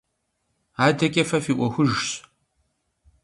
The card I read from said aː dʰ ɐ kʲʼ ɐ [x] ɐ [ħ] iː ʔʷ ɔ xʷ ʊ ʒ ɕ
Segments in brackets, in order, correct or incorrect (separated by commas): incorrect, incorrect